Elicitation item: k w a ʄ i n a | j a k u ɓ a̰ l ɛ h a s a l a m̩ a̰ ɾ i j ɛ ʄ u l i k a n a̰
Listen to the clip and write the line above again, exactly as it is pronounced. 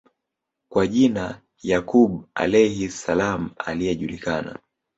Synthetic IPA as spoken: k w a ʄ i n a | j a k u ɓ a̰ l ɛ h i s a l a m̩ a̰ l i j ɛ ʄ u l i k a n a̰